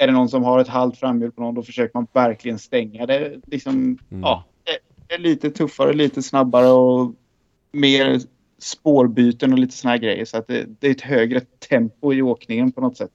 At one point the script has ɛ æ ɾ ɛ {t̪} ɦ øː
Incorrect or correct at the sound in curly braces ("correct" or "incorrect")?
correct